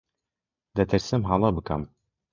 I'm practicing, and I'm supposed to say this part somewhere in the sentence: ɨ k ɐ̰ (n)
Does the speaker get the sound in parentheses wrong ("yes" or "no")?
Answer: yes